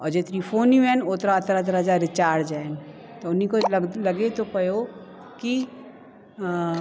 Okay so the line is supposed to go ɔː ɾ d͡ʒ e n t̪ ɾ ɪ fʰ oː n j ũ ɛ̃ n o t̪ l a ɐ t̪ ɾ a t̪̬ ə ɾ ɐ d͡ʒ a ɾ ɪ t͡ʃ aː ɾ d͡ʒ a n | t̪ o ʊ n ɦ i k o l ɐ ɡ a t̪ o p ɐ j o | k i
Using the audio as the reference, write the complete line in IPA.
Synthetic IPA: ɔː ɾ d͡ʒ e t̪ ɾ i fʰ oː n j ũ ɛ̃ n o t̪ ɾ a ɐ t̪ ɾ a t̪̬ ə ɾ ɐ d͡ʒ a ɾ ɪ t͡ʃ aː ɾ d͡ʒ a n | t̪ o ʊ n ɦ i k o l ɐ ɡ e t̪ o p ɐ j o | k i

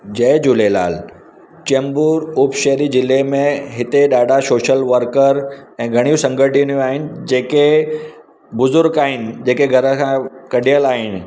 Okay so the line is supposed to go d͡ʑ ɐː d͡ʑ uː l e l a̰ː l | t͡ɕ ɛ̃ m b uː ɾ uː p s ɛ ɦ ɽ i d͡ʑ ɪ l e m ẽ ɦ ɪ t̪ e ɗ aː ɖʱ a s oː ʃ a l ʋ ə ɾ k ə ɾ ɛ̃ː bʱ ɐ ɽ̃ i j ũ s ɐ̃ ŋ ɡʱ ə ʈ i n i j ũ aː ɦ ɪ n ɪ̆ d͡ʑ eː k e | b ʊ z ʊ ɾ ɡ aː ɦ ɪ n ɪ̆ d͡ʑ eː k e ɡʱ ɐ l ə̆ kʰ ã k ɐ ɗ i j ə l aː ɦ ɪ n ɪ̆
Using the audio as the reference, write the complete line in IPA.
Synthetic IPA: d͡ʑ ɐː d͡ʑ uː l e l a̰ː l | t͡ɕ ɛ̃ m b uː ɾ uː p ʃ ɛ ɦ ɾ i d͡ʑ ɪ l e m ẽ ɦ ɪ t̪ e ɗ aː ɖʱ a s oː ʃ ə l ʋ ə ɾ k ə ɾ ɛ̃ː ɡʱ ɐ ɽ̃ i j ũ s ɐ̃ ŋ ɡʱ ə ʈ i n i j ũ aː ɦ ɪ n ɪ̆ d͡ʑ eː k e | b ʊ z ʊ ɾ ɡ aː ɦ ɪ n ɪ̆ d͡ʑ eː k e ɡʱ ɐ ɾ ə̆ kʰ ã k ɐ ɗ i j ə l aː ɦ ɪ n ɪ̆

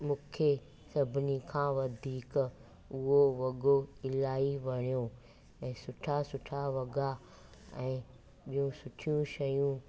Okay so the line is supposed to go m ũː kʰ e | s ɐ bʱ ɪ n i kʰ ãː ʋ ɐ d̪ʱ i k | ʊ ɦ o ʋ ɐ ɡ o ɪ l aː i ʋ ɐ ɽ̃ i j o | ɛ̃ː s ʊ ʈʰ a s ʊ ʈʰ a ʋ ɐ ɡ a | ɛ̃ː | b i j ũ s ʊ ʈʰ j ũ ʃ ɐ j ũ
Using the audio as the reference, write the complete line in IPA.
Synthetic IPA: m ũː kʰ e | s ɐ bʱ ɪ n i kʰ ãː ʋ ɐ d̪ʱ iː k | ʊ ɦ o ʋ ɐ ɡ o ɪ l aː i ʋ ɐ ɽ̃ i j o | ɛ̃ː s ʊ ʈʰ a s ʊ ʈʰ a ʋ ɐ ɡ a | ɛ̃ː | ɓ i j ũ s ʊ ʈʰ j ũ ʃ ɐ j ũ

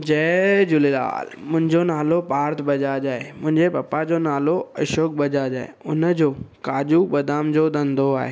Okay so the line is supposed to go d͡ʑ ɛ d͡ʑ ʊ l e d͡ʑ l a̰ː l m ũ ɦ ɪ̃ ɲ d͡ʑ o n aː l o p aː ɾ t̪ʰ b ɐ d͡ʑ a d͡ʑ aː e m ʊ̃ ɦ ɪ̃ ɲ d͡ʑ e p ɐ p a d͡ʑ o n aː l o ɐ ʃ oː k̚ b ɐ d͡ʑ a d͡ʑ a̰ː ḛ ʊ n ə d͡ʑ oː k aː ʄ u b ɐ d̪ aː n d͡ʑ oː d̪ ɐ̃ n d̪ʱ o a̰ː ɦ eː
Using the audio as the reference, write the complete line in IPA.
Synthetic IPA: d͡ʑ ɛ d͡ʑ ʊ l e l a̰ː l m ʊ̃ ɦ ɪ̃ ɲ d͡ʑ o n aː l o p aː ɾ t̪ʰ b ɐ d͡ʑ a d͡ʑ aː e m ʊ̃ ɦ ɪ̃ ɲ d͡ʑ e p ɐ p a d͡ʑ o n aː l o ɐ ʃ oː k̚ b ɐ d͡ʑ a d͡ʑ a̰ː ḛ ʊ n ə d͡ʑ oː k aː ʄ u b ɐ d̪ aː m d͡ʑ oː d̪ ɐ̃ n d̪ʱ o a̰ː ɦ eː

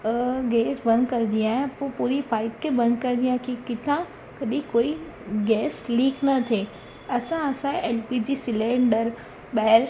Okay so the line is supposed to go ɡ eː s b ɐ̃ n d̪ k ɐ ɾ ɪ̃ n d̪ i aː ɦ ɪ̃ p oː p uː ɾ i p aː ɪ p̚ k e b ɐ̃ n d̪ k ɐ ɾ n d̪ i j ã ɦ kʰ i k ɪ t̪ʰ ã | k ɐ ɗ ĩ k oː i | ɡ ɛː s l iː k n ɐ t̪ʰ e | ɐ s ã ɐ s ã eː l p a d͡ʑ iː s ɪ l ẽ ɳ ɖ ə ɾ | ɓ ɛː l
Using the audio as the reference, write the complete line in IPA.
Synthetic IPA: ɡ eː s b ɐ̃ n d̪ k ɐ ɾ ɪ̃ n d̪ i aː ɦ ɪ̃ p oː p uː ɾ i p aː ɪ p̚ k e b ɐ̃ n d̪ k ɐ ɾ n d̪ i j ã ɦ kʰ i k ɪ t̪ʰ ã | k ɐ ɗ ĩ k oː i | ɡ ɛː s l iː k n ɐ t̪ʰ e | ɐ s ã ɐ s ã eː l p i d͡ʑ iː s ɪ l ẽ ɳ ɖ ə ɾ | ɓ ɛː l

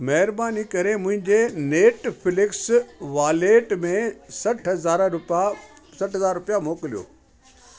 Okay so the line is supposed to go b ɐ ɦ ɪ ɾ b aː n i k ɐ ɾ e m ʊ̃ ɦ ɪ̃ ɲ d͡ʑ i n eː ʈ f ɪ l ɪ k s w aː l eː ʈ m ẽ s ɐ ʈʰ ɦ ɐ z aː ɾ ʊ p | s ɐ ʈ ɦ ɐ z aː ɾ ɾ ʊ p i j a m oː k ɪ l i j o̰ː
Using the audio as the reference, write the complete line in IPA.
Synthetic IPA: m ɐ ɦ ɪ ɾ b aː n i k ɐ ɾ e m ʊ̃ ɦ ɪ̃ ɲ d͡ʑ e n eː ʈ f ɪ l ɪ k s ʋ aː l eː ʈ m ẽ s ɐ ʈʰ ɦ ɐ z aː ɾ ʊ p | s ɐ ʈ ɦ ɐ z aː ɾ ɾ ʊ p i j a m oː k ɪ l i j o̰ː

